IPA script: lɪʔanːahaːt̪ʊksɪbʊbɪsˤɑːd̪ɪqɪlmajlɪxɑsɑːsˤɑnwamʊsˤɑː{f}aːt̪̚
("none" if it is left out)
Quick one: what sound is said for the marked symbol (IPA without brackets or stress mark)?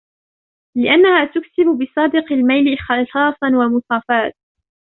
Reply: f